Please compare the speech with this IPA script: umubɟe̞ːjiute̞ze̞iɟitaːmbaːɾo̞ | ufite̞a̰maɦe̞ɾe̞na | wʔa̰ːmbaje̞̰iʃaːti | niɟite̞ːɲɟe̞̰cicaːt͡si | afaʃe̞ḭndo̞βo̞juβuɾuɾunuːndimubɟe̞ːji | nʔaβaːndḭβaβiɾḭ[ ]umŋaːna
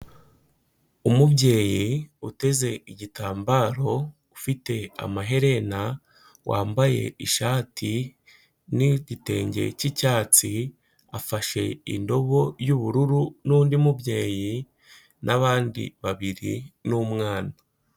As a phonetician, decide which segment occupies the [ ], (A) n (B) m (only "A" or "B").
A